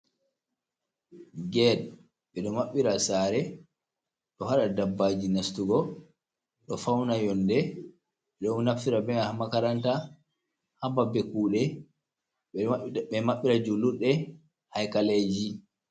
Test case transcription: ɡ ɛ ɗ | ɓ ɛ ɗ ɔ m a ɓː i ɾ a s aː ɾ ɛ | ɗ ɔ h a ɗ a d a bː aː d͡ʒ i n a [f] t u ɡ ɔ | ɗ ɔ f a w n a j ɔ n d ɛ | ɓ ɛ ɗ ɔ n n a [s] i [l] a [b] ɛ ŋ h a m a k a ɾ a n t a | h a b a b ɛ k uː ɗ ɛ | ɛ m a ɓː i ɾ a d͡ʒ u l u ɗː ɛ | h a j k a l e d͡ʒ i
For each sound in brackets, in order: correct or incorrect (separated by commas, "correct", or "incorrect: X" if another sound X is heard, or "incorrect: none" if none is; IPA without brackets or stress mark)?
incorrect: s, incorrect: f, incorrect: ɾ, correct